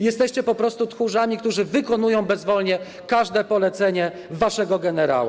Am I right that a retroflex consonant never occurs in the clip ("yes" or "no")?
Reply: no